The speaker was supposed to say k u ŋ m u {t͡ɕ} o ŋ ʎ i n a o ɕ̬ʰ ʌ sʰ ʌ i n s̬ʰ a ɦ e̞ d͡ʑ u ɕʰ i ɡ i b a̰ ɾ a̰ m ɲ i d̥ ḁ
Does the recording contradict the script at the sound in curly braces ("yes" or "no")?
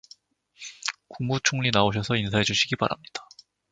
yes